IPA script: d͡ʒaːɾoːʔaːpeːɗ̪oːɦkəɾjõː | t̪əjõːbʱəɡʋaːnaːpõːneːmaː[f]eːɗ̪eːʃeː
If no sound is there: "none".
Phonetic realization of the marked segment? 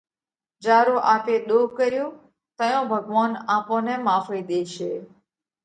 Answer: f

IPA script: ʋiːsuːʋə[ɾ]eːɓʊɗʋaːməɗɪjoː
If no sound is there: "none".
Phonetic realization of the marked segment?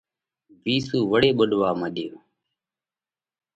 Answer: ɽ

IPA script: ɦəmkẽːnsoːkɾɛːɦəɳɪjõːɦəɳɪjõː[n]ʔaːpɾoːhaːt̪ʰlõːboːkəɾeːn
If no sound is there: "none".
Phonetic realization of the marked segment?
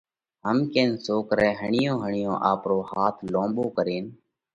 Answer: none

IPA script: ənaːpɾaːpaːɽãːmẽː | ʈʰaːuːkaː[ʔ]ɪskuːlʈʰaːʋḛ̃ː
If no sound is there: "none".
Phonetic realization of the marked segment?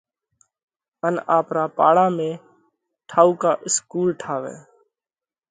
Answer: ʔ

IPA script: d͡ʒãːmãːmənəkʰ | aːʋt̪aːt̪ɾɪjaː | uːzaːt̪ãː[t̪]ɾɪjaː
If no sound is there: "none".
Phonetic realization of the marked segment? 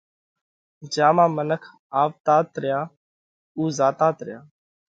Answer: t̪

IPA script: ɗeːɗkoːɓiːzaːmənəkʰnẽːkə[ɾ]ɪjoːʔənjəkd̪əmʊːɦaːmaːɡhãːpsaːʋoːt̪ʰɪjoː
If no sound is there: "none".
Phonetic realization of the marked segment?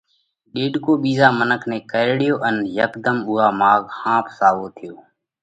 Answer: ɽ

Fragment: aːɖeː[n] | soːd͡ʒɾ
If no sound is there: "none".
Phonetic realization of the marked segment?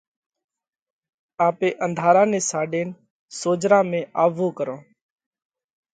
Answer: n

